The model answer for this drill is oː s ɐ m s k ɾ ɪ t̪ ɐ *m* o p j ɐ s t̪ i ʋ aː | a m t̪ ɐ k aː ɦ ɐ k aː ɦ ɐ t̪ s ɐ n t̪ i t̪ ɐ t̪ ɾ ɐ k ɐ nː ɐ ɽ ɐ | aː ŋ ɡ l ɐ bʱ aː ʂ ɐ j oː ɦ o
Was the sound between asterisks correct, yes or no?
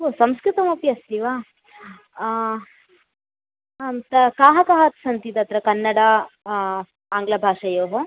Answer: yes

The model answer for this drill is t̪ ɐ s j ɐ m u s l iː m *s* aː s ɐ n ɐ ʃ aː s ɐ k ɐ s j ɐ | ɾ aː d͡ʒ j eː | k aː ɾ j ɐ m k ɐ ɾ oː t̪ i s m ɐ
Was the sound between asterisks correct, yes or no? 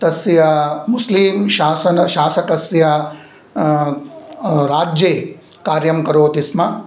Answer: no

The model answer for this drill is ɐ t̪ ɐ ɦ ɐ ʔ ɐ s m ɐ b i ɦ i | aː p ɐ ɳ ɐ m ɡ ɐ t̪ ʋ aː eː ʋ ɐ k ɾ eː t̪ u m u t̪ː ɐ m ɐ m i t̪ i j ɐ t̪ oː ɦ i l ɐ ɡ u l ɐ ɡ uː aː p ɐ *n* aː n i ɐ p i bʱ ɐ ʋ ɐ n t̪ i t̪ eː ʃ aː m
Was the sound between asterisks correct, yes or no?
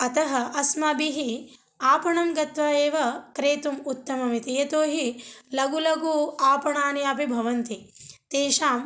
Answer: no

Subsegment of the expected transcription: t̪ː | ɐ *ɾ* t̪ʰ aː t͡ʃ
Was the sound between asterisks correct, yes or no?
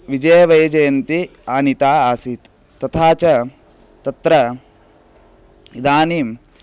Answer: no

